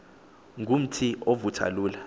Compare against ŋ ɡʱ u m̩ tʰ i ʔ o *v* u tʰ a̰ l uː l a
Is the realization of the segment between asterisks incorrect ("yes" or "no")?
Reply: no